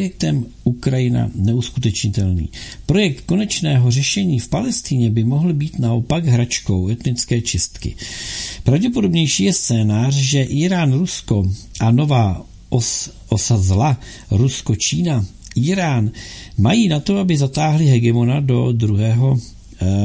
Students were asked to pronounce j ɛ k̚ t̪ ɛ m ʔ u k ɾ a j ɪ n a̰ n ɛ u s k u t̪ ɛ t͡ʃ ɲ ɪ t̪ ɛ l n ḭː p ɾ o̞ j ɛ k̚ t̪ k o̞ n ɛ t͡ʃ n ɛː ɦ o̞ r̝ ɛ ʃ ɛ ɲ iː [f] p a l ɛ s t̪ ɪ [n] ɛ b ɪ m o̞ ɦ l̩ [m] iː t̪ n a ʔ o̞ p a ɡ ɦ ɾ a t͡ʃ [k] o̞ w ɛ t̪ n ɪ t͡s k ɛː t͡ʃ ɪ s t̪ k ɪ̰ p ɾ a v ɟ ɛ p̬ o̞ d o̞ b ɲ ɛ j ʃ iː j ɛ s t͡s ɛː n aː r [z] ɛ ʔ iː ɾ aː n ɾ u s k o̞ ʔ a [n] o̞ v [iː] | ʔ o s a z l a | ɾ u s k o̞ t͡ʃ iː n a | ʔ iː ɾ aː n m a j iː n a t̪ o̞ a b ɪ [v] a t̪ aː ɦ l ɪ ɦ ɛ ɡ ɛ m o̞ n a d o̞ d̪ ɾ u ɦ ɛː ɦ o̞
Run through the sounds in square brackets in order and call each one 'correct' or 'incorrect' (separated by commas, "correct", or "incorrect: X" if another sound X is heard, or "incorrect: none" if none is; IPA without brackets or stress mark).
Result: correct, incorrect: ɲ, incorrect: b, correct, incorrect: ʒ, correct, incorrect: aː, incorrect: z